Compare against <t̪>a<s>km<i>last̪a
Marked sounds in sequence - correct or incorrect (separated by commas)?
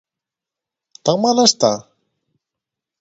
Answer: correct, incorrect, incorrect